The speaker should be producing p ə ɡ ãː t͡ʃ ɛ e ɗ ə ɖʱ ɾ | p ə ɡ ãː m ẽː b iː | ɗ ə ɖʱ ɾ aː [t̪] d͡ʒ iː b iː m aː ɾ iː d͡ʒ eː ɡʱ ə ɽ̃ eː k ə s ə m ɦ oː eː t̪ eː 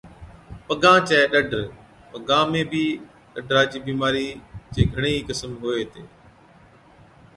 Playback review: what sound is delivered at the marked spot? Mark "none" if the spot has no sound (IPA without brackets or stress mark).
none